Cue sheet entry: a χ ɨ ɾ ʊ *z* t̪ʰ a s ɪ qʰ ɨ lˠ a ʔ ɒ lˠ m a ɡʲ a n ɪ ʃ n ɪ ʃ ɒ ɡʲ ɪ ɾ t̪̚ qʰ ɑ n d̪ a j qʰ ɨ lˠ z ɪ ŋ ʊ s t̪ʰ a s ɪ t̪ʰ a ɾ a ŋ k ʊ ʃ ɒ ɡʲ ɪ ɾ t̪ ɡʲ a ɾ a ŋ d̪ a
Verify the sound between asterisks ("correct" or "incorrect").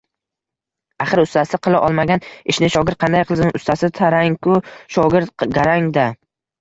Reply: incorrect